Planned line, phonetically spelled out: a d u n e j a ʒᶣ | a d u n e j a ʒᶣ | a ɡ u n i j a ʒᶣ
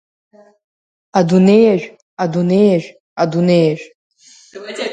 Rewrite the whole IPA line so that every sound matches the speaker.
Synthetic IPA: a d u n e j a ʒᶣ | a d u n e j a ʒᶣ | a d u n e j a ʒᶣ